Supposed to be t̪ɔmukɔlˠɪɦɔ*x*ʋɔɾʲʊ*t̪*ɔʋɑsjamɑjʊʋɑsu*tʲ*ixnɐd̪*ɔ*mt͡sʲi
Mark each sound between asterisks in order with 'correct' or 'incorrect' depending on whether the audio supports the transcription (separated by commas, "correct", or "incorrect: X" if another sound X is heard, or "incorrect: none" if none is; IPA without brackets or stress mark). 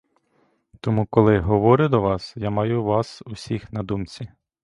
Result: incorrect: none, incorrect: d̪, incorrect: sʲ, incorrect: u